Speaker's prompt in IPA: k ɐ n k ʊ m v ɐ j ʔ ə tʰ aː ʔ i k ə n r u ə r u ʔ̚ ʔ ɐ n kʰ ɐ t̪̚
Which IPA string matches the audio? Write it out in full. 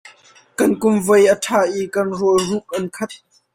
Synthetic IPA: k ɐ n k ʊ m v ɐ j ʔ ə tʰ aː ʔ i k ɐ n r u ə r u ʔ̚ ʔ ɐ n kʰ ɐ t̪̚